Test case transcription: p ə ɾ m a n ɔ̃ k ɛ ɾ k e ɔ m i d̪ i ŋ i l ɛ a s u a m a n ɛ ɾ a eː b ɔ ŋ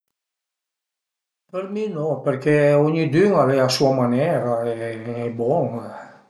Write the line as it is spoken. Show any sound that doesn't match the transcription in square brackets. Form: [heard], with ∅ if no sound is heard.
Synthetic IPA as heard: p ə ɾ m [i] n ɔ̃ [p] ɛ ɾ k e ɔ [ɲ] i d̪ [y] ŋ [a] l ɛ a s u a m a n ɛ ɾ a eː b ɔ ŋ